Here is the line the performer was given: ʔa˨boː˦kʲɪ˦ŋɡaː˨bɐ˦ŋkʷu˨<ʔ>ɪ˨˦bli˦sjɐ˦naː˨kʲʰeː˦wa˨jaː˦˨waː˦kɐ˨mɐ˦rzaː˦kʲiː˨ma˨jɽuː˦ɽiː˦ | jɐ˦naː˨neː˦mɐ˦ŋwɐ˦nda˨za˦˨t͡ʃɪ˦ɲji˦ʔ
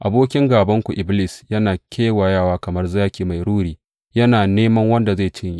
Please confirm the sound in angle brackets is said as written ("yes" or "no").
yes